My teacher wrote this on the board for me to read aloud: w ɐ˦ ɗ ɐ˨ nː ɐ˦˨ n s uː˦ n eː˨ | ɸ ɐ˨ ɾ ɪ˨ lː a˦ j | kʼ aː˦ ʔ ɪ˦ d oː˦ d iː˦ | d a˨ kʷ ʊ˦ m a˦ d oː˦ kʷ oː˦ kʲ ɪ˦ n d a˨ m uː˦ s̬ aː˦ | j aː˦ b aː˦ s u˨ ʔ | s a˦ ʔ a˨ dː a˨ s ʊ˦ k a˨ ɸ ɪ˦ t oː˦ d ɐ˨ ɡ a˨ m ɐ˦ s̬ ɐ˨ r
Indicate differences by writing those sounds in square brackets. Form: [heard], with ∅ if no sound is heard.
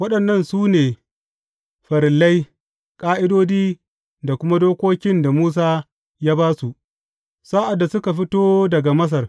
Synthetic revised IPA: w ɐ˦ ɗ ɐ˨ nː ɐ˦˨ n s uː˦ n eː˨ | ɸ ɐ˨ ɾ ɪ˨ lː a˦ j | kʼ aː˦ ʔ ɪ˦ d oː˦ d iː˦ | d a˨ kʷ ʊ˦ m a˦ d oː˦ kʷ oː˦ kʲ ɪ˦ n d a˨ m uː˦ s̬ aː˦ | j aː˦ b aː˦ s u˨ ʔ | s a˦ ʔ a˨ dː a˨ s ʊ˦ k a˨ ɸ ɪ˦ t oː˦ d ɐ˨ ɡ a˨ m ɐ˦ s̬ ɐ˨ r